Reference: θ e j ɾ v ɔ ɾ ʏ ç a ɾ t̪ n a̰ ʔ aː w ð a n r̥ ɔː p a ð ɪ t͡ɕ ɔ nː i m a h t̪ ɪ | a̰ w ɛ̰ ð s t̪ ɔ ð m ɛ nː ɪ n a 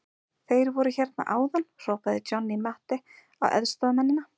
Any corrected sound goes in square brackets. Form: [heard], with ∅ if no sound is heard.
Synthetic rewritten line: θ e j ɾ v ɔ ɾ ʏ ç [ɛ] ɾ t̪ n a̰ ʔ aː w ð a n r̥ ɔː p a ð ɪ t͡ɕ ɔ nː i m a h t̪ ɪ | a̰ w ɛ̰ ð s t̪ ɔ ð m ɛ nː ɪ n a